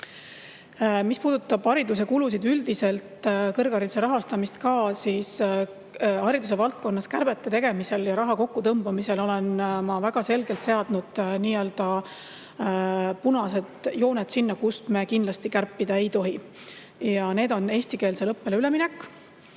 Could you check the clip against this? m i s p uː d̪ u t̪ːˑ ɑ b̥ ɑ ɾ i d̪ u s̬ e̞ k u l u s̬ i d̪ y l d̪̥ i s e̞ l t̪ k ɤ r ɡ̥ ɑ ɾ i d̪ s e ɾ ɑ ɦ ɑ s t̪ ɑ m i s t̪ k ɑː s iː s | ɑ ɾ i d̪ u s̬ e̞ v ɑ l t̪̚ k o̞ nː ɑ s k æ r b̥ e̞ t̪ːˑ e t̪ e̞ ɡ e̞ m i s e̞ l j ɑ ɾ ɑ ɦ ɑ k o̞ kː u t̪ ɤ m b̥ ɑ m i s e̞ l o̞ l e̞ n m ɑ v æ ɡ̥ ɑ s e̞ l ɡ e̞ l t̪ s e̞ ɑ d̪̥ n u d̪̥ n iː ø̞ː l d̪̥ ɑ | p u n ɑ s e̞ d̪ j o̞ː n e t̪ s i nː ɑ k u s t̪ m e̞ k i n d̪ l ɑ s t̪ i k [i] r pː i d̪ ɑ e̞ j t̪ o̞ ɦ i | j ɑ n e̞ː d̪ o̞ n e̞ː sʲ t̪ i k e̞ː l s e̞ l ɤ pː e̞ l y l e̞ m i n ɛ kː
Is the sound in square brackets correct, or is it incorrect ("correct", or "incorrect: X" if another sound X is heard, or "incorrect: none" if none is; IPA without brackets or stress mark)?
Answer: incorrect: æ